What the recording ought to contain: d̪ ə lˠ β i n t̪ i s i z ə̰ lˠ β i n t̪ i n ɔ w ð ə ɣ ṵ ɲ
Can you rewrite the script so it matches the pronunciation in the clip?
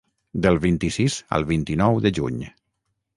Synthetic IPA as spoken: d̪ ə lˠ β i n t̪ i s i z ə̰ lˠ β i n t̪ i n ɔ w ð ə ʒ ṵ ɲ

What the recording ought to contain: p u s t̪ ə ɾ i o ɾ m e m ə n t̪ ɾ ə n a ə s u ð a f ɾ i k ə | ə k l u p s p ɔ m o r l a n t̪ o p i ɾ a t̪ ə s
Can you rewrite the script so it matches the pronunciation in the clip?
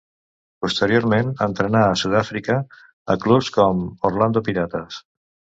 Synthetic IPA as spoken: p u s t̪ ə ɾ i o ɾ m e n ə n t̪ ɾ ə n a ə s u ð a f ɾ i k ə | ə k l u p s k ɔ m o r l a n d̪ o p i ɾ a t̪ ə s

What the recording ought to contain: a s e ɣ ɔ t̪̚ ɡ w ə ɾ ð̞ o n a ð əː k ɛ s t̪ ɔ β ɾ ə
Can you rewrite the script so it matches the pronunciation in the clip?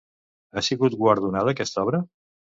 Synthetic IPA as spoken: a s i ɣ u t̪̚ ɡ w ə ɾ ð̞ u n a ð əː k ɛ s t̪ ɔ β ɾ ə

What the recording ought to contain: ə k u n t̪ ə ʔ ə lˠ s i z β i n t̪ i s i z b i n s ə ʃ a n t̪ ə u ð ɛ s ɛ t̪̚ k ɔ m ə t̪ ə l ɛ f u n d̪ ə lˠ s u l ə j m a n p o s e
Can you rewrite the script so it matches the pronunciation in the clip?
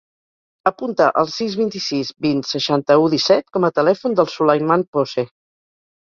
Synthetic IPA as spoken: ə p u n t̪ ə ʔ ə lˠ s i z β i n t̪ i s i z b i n s ə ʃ a n t̪ ə u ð i s ɛ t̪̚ k ɔ m ə t̪ ə l ɛ f u n d̪ ə lˠ s u l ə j m a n p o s e

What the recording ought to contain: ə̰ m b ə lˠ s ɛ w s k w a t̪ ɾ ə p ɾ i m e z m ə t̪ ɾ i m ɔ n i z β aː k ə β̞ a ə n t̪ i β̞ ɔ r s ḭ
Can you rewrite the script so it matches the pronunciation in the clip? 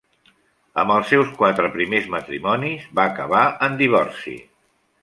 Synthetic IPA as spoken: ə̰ m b ə lˠ s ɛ w s k w a t̪ ɾ ə p ɾ i m e z m ə t̪ ɾ i m ɔ n i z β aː k ə β̞ a ə n d̪ i β̞ ɔ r s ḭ

